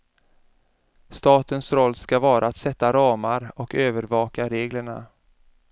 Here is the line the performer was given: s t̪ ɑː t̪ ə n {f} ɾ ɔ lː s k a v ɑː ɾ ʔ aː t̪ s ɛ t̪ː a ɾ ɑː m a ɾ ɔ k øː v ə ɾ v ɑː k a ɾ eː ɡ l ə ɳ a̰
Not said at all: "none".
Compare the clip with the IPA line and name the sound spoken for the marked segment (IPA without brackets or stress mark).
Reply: s